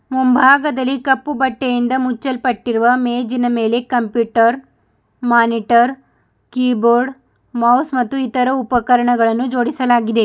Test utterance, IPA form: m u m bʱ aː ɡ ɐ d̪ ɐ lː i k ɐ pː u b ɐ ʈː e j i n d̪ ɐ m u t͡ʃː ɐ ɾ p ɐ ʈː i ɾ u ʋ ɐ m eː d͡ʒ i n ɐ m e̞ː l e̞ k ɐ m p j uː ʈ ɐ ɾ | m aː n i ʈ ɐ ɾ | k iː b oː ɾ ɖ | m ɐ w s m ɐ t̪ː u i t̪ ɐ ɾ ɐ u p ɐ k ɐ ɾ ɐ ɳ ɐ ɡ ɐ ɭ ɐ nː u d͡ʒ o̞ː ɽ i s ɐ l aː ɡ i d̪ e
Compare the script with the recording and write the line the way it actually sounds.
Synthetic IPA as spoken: m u m bʱ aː ɡ ɐ d̪ ɐ lː i k ɐ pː u b ɐ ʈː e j i n d̪ ɐ m u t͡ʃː ɐ l p ɐ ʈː i ɾ u ʋ ɐ m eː d͡ʒ i n ɐ m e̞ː l e̞ k ɐ m p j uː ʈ ɐ ɾ | m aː n i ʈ ɐ ɾ | k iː b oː ɾ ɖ | m ɐ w s m ɐ t̪ː u i t̪ ɐ ɾ ɐ u p ɐ k ɐ ɾ ɐ ɳ ɐ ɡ ɐ ɭ ɐ nː u d͡ʒ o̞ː ɽ i s ɐ l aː ɡ i d̪ e